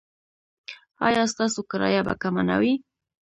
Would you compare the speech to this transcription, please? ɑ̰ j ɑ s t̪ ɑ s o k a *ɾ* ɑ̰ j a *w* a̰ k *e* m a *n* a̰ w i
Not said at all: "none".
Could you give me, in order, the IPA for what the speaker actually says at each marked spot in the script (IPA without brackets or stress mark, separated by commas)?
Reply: ɾ, b, a, n